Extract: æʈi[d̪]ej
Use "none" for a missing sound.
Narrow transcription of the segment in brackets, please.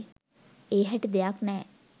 d̪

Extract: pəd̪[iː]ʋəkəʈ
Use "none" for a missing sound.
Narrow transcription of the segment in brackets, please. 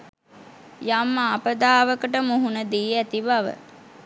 aː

